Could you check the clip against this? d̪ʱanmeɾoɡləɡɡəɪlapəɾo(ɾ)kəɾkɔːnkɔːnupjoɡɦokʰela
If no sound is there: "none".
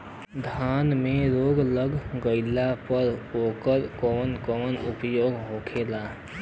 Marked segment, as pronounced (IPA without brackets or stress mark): none